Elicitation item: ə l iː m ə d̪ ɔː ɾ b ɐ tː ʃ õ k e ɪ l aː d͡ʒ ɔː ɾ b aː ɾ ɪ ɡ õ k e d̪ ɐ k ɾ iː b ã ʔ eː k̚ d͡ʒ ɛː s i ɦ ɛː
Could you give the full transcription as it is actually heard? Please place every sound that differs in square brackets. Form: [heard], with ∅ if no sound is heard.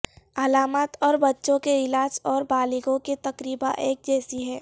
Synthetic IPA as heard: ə l [aː] m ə [t̪] ɔː ɾ b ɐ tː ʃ õ k e ɪ l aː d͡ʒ ɔː ɾ b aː [l] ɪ ɡ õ k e [t̪] ɐ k ɾ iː b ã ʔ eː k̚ d͡ʒ ɛː s i ɦ ɛː